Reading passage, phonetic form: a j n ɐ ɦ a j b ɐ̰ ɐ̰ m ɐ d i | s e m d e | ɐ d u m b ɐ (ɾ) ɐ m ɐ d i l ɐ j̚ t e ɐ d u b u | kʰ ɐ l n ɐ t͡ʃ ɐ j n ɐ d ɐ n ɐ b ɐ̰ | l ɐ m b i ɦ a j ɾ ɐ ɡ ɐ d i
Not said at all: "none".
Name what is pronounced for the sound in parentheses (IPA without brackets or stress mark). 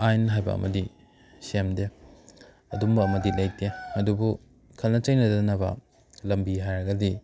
none